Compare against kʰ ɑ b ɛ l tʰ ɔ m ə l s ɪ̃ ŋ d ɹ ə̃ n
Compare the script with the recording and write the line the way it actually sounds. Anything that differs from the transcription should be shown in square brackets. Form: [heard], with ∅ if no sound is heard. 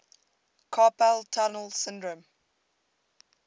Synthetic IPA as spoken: kʰ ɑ [p] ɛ l tʰ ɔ [n] ə l s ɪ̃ [n] d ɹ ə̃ [m]